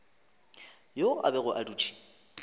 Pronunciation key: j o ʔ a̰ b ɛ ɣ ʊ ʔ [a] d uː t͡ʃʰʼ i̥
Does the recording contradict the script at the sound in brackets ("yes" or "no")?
no